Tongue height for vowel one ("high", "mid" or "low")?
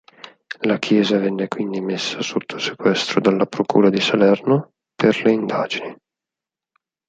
low